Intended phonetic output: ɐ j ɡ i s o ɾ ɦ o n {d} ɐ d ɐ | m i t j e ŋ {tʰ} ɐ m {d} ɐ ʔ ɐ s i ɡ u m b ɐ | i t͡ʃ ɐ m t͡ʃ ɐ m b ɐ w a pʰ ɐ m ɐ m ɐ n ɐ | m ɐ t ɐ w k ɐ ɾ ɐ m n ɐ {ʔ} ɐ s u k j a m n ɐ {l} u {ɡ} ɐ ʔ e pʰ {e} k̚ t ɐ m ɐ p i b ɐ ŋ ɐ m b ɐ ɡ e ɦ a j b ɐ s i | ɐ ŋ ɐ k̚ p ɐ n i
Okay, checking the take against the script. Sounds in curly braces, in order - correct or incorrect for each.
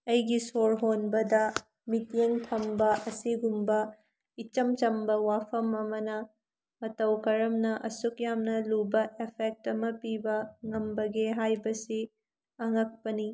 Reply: incorrect: b, correct, incorrect: b, correct, correct, incorrect: b, correct

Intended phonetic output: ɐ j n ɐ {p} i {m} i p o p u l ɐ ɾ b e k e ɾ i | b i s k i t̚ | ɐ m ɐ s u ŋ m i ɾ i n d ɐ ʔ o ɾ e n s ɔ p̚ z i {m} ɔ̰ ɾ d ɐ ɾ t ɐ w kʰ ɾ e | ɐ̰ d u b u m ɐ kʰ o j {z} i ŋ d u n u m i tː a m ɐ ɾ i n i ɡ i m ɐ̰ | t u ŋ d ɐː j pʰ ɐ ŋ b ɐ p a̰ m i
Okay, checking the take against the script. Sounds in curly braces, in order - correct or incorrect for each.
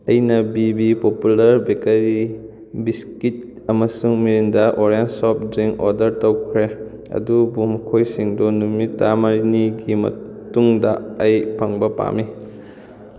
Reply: incorrect: b, incorrect: b, incorrect: ŋ, incorrect: s

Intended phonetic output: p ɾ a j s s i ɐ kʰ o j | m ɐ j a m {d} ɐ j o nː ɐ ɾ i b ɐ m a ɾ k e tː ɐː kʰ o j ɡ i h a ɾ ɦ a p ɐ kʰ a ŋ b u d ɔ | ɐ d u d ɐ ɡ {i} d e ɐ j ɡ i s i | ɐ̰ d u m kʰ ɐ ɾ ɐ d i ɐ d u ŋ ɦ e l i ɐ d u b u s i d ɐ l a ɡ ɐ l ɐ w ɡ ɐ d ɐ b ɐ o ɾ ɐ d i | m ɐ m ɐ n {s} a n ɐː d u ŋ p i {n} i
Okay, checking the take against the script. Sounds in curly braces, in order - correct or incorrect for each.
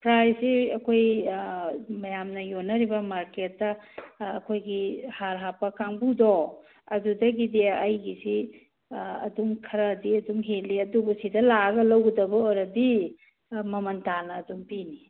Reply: incorrect: n, correct, incorrect: t, correct

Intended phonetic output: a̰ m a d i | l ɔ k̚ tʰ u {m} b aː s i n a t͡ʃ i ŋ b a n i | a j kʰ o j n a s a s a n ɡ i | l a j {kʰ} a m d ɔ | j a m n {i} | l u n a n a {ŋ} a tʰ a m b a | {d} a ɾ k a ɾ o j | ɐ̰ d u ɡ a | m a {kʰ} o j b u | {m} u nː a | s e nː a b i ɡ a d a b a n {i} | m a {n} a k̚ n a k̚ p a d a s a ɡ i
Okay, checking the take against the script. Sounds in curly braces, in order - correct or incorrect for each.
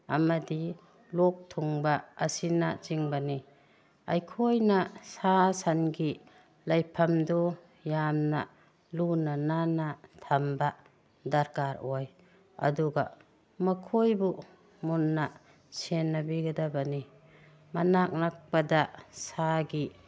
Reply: incorrect: ŋ, incorrect: pʰ, incorrect: a, incorrect: n, correct, correct, correct, correct, correct

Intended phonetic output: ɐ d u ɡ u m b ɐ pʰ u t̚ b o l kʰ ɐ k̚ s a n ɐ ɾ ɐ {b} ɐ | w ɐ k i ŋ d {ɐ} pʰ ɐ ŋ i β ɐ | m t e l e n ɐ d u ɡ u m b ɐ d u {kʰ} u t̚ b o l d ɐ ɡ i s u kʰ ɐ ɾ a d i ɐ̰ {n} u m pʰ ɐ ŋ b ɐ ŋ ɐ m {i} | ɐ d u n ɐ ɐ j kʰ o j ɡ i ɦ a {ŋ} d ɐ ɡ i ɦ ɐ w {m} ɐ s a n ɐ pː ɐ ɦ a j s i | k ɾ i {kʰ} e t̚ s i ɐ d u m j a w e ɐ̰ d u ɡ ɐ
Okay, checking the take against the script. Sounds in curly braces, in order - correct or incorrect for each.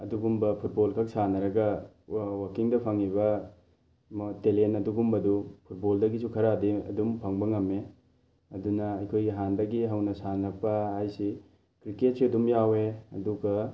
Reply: incorrect: ɡ, correct, incorrect: pʰ, incorrect: d, incorrect: e, incorrect: n, incorrect: n, incorrect: k

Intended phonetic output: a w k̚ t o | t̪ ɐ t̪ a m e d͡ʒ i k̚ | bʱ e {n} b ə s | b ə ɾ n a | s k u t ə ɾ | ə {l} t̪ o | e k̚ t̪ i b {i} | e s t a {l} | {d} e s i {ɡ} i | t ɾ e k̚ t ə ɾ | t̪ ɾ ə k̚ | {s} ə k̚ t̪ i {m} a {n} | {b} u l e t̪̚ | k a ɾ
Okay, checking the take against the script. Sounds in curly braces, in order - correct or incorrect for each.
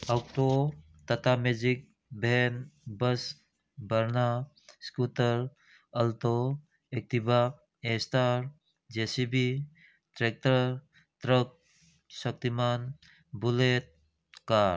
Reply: correct, correct, incorrect: a, incorrect: ɾ, incorrect: d͡ʒ, incorrect: b, correct, correct, correct, correct

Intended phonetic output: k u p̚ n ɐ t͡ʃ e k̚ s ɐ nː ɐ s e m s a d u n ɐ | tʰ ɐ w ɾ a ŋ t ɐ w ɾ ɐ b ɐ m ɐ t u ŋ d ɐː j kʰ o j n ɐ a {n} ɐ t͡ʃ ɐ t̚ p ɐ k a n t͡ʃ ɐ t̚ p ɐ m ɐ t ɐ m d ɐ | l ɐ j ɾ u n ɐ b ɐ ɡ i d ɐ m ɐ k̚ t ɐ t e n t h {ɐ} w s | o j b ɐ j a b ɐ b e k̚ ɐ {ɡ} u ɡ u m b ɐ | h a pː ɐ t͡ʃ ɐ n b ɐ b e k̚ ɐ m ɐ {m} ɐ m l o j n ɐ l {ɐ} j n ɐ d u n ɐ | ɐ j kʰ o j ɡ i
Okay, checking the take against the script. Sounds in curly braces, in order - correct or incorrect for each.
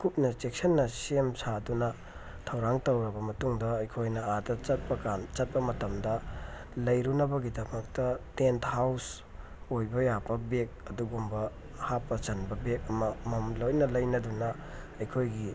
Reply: incorrect: d, incorrect: a, incorrect: d, correct, correct

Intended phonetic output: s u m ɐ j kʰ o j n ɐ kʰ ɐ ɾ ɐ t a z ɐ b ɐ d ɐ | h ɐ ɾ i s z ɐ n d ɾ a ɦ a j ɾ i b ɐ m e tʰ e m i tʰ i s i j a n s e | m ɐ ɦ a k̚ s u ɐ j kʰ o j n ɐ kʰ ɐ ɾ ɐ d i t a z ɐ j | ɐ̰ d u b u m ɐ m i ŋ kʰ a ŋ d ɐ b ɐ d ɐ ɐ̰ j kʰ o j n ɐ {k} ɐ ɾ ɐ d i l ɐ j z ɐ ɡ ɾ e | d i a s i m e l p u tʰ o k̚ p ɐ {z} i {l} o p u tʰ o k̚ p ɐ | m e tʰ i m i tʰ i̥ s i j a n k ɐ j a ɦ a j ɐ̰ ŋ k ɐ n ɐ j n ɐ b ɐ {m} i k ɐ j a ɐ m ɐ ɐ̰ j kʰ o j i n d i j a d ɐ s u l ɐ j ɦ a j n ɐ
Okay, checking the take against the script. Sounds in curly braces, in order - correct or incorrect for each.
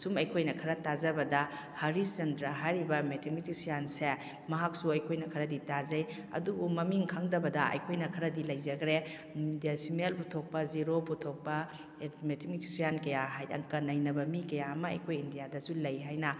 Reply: incorrect: kʰ, correct, incorrect: ɾ, correct

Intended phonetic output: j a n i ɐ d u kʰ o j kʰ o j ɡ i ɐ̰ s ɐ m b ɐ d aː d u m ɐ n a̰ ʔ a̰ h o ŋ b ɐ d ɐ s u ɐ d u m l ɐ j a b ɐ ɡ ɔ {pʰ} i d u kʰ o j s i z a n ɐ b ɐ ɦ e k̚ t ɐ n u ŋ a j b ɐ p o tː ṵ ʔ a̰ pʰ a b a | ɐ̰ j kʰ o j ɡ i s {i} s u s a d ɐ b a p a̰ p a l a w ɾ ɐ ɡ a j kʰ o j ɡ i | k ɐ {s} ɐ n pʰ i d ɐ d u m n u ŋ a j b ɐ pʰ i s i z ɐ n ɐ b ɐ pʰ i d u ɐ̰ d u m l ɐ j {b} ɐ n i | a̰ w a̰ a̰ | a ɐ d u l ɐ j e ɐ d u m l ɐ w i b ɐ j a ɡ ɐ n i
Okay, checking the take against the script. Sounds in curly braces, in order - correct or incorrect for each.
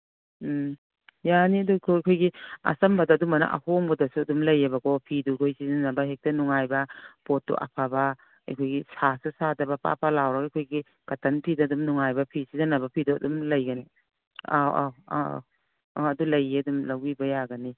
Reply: correct, incorrect: a, incorrect: t, incorrect: ɡ

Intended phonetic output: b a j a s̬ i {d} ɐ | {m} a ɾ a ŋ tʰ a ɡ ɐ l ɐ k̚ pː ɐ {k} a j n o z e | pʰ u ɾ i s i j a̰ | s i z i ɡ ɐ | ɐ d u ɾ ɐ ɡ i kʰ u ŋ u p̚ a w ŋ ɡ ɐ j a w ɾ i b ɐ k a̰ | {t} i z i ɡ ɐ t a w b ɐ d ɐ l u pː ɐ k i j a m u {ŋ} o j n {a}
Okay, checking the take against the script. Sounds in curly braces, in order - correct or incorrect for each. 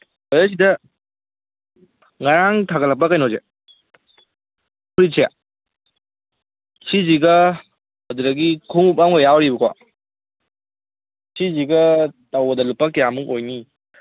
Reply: correct, incorrect: ŋ, correct, incorrect: s, correct, incorrect: i

